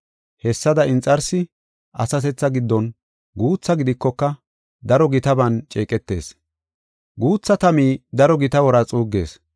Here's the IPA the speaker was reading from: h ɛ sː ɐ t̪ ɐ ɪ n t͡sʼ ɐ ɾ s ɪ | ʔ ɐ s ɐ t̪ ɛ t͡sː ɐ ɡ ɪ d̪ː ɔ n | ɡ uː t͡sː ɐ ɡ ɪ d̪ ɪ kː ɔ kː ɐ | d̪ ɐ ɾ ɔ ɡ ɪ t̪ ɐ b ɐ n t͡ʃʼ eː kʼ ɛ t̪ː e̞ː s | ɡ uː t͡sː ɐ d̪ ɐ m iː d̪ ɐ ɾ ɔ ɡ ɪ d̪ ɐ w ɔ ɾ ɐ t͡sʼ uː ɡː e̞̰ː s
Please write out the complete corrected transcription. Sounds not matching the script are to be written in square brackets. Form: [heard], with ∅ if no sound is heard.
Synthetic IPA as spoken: h ɛ sː ɐ [d̪] ɐ ɪ n t͡sʼ ɐ ɾ s ɪ | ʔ ɐ s ɐ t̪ ɛ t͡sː ɐ ɡ ɪ d̪ː ɔ n | ɡ uː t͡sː ɐ ɡ ɪ d̪ ɪ kː ɔ kː ɐ | d̪ ɐ ɾ ɔ ɡ ɪ t̪ ɐ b ɐ n t͡ʃʼ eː kʼ ɛ t̪ː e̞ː s | ɡ uː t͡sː ɐ [t̪] ɐ m iː d̪ ɐ ɾ ɔ ɡ ɪ [t̪] ɐ w ɔ ɾ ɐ t͡sʼ uː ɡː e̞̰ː s